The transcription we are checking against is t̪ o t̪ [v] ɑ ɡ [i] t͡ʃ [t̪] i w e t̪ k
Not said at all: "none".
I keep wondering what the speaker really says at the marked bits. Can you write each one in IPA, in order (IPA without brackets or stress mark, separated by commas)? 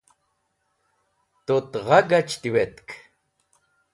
ʁ, a, t̪